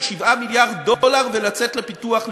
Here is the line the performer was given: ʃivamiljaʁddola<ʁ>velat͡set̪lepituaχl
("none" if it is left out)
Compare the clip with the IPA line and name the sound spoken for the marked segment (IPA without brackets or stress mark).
ʁ